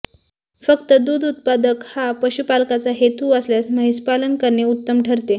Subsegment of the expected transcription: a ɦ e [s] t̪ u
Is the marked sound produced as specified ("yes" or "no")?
no